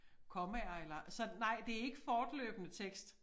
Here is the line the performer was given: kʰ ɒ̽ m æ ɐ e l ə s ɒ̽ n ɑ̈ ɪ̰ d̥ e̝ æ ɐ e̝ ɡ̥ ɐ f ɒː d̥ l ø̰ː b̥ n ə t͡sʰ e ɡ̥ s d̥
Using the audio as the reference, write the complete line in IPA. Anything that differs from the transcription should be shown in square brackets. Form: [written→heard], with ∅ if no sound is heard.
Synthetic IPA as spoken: kʰ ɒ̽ m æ ɐ e l [ə→ɐ] s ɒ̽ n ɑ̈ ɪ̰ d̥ e̝ æ ɐ e̝ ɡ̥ [ɐ→ə] f ɒː d̥ l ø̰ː b̥ n ə t͡sʰ e ɡ̥ s d̥